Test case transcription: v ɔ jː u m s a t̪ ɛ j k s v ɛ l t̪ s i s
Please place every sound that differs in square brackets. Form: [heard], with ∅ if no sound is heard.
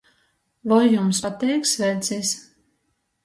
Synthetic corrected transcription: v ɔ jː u m s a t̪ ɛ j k s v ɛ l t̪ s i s